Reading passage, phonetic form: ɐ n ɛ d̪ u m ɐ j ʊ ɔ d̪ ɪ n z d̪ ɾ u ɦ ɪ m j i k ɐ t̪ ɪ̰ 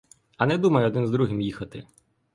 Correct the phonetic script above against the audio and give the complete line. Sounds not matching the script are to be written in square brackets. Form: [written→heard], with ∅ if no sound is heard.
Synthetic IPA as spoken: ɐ n ɛ d̪ u m ɐ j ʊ ɔ d̪ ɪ n z d̪ ɾ u ɦ ɪ m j i [k→x] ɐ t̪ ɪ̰